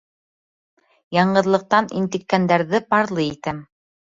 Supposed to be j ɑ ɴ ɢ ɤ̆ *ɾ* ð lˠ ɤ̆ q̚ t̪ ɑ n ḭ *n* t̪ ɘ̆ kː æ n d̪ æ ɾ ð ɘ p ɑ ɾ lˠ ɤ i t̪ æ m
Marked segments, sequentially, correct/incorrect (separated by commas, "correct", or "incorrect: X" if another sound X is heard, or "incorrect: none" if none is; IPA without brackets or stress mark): incorrect: none, correct